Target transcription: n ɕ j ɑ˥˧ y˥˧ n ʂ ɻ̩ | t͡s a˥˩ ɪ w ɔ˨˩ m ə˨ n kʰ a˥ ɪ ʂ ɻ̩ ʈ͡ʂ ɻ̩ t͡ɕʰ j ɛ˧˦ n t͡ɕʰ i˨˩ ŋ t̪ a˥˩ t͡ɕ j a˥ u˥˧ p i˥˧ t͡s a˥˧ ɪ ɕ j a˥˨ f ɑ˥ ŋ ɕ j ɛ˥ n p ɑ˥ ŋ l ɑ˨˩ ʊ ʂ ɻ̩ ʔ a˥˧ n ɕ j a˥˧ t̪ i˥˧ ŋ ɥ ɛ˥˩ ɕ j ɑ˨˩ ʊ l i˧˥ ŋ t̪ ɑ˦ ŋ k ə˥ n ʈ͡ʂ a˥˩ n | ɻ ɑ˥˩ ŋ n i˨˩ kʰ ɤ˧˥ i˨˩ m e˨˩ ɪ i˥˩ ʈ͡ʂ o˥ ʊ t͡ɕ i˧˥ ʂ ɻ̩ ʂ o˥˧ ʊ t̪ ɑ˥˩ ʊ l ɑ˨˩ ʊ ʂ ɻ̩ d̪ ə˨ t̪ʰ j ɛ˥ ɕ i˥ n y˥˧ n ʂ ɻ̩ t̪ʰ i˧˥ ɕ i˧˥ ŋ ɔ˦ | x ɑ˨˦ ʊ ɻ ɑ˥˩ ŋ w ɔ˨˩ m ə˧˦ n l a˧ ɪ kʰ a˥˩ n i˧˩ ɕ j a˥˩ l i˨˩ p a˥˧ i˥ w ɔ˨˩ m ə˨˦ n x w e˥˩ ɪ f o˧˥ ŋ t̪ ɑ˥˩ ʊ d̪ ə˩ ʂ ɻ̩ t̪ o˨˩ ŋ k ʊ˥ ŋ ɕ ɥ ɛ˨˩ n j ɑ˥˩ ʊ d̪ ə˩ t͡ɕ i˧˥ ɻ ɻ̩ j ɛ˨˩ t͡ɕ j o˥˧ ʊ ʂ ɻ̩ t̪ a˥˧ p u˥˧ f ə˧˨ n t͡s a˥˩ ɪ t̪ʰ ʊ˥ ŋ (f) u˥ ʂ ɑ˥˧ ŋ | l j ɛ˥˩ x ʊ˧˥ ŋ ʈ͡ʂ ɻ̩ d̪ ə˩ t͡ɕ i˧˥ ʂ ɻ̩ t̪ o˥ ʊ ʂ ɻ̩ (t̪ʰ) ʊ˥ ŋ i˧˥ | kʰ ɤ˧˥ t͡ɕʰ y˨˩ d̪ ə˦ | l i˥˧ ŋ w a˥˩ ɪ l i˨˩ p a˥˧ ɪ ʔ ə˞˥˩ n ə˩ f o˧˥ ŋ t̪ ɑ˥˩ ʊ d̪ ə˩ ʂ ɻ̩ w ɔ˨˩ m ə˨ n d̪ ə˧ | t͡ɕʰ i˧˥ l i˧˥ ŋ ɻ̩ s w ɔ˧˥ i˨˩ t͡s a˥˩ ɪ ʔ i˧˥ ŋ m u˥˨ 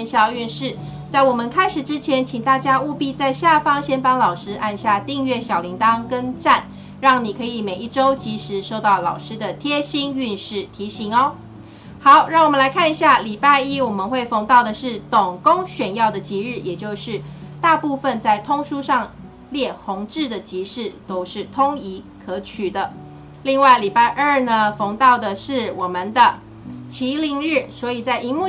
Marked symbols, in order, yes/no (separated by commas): no, yes